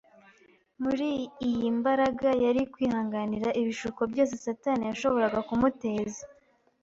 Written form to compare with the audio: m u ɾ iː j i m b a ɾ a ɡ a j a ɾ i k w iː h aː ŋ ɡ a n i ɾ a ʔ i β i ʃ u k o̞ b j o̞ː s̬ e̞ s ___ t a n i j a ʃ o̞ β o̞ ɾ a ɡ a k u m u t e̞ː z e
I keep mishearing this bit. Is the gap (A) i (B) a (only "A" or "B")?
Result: B